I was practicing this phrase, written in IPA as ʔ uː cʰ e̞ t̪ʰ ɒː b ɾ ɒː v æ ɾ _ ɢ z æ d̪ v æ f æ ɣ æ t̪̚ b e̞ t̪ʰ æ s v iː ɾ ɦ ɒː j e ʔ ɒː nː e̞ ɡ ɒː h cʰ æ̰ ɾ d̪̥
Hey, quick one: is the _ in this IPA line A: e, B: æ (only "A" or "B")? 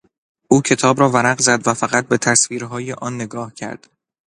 B